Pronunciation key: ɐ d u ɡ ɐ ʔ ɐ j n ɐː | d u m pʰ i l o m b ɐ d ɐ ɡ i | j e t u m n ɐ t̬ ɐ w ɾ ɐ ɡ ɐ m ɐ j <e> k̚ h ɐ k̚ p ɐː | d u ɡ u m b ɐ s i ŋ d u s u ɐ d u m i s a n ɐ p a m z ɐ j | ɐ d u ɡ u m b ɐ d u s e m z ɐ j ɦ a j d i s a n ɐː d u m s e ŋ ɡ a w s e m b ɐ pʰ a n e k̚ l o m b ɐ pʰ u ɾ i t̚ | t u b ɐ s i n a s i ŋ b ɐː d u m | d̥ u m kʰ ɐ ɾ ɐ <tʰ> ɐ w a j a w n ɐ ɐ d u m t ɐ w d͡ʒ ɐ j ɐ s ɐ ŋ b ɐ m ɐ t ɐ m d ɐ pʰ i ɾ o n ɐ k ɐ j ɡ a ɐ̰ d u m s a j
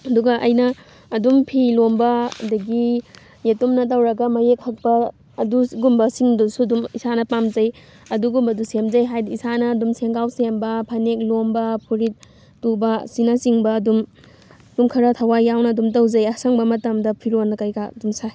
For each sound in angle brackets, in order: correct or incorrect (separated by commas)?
correct, correct